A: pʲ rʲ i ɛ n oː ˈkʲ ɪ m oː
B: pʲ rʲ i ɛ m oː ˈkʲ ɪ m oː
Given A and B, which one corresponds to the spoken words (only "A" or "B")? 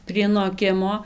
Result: A